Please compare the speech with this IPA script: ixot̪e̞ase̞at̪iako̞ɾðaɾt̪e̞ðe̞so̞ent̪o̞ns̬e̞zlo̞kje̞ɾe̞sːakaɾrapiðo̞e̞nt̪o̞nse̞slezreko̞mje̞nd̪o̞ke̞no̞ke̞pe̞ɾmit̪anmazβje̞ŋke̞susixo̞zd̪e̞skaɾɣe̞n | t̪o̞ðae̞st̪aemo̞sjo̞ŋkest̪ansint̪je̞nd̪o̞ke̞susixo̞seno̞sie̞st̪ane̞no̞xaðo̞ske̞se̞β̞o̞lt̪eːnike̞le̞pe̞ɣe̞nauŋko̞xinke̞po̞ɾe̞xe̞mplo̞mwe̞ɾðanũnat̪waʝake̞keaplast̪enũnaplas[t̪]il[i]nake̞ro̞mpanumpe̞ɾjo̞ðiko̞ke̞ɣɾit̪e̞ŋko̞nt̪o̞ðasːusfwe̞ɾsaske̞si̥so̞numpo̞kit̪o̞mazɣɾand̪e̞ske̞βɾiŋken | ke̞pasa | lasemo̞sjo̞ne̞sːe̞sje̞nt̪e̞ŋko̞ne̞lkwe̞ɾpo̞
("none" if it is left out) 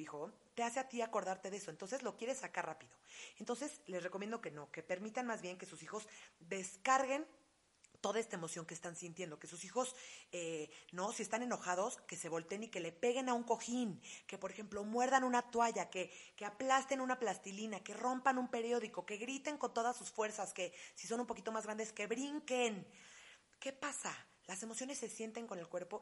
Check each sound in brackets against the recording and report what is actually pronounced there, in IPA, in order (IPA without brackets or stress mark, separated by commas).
t̪, i